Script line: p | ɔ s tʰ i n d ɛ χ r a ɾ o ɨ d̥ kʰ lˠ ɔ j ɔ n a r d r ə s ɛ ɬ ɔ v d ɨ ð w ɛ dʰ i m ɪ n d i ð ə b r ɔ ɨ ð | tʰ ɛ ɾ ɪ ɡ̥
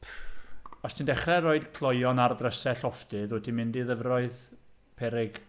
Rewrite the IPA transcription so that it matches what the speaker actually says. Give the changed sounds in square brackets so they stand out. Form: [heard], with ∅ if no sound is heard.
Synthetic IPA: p | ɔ s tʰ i n d ɛ χ r [ɛ] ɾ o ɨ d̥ kʰ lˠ ɔ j ɔ n a r d r ə s ɛ ɬ ɔ [f] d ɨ ð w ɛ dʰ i m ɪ n d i ð ə [v] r ɔ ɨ ð | [pʰ] ɛ ɾ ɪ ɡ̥